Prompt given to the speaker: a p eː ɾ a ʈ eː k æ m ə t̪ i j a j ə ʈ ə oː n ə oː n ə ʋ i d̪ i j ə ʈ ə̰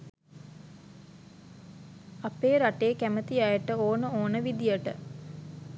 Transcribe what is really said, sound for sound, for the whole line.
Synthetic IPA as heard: a p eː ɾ a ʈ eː k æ m ə t̪ i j a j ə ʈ ə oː n ə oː n ə ʋ i d̪ i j ə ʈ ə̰

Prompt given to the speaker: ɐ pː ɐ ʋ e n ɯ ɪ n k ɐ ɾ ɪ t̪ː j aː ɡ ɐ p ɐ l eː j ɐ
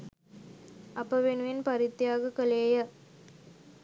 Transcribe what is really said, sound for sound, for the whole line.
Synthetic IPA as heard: ɐ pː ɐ ʋ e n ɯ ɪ n p ɐ ɾ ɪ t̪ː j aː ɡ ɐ k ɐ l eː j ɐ

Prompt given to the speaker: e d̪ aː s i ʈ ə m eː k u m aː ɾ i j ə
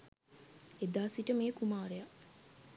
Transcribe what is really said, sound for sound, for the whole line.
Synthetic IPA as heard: e d̪ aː s i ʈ ə m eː k u m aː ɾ e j a

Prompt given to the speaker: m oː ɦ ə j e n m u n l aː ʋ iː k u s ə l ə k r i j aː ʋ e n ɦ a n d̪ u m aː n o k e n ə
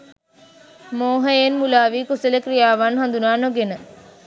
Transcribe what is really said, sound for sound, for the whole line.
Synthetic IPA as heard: m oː ɦ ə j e n m u l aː ʋ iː k u s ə l ə k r i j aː ʋ a n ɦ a n d̪ u n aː n o ɡ e n ə

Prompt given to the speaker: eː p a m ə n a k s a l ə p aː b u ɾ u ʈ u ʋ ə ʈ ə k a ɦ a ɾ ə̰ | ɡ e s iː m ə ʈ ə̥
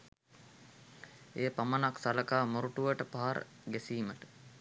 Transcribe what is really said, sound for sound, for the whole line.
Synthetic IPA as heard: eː p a m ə n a k s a l ə k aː m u ɾ u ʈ u ʋ ə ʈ ə p a ɦ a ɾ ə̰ | ɡ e s iː m ə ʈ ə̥

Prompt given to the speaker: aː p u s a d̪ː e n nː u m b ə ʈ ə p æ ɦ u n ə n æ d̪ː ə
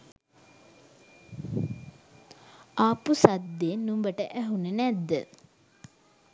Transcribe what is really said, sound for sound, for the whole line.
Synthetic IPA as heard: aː p u s a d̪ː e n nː u m b ə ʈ ə ʔ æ ɦ u n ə n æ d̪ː ə

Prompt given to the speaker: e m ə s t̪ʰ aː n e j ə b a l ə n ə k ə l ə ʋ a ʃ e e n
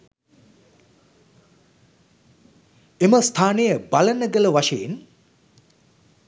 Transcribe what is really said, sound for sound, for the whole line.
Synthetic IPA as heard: e m ə s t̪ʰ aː n e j ə b a l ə n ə ɡ ə l ə ʋ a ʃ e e n

